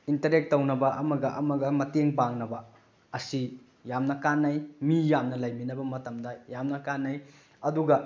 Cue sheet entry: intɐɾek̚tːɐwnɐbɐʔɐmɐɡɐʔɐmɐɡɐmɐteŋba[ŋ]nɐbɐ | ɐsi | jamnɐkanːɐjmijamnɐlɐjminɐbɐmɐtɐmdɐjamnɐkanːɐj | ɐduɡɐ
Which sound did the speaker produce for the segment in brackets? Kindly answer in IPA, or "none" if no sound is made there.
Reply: ŋ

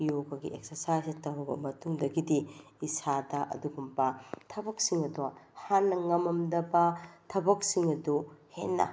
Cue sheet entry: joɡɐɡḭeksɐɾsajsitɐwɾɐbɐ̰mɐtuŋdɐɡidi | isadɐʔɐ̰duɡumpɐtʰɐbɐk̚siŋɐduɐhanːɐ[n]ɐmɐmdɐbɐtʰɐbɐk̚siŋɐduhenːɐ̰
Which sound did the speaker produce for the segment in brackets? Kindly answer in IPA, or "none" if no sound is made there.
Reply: ŋ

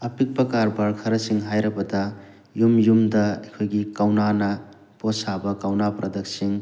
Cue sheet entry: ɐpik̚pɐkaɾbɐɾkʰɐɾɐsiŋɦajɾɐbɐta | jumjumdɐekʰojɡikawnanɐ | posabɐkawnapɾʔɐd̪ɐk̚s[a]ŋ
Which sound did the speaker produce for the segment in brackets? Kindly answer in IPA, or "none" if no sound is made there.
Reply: i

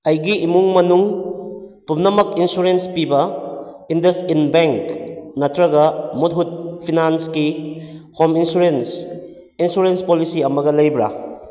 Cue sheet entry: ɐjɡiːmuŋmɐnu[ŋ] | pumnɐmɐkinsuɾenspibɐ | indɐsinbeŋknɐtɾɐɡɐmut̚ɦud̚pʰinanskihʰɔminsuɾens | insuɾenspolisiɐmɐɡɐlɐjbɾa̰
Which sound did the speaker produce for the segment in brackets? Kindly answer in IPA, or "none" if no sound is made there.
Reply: ŋ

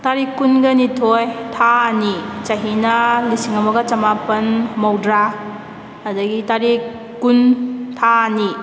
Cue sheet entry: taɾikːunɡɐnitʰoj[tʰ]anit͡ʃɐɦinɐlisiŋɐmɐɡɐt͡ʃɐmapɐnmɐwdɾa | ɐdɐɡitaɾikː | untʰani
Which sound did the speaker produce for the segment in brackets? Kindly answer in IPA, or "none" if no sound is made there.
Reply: tʰ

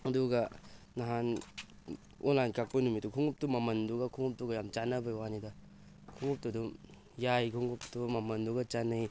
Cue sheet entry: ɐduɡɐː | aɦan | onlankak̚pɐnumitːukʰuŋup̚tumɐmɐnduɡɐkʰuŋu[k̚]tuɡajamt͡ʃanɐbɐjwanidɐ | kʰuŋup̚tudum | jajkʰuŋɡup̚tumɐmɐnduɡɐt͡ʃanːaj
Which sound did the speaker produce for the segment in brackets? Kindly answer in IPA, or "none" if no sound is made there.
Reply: p̚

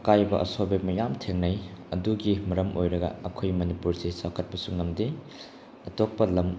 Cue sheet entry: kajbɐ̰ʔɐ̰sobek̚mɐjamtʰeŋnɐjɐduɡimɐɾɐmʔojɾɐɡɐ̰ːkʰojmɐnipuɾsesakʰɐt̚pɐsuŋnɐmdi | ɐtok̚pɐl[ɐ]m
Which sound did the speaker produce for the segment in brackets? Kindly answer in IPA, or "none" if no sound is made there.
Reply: ɐ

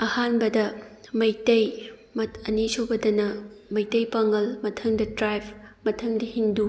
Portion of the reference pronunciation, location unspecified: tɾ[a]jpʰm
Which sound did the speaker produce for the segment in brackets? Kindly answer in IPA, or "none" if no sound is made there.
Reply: a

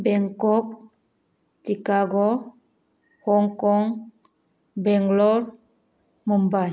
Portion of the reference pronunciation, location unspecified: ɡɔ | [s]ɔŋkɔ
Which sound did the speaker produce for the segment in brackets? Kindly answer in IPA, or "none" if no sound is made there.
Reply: h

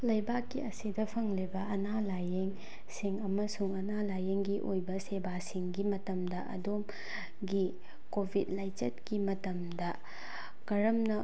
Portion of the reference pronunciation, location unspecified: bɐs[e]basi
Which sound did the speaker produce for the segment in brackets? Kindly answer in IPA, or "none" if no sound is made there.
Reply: e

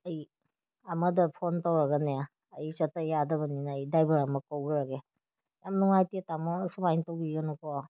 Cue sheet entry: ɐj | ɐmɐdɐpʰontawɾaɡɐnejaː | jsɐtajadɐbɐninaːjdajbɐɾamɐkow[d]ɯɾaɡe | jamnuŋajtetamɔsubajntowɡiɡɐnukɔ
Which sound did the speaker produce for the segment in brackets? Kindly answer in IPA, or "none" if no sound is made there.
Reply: ɡ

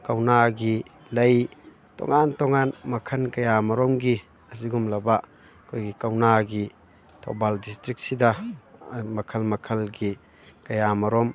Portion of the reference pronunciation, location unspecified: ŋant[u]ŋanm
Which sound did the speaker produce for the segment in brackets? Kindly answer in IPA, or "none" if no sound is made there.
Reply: ɔ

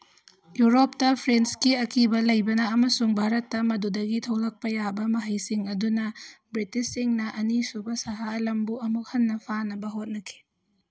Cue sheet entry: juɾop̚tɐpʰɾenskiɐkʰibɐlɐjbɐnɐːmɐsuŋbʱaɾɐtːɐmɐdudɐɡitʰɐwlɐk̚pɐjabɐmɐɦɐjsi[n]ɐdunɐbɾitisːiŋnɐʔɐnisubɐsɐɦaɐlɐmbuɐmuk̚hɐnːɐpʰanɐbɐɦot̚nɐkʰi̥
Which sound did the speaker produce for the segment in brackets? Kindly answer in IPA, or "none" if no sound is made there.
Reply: ŋ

